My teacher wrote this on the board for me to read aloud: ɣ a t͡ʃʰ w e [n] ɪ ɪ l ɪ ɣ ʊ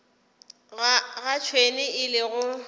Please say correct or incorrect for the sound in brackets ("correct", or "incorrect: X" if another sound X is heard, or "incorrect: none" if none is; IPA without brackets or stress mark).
correct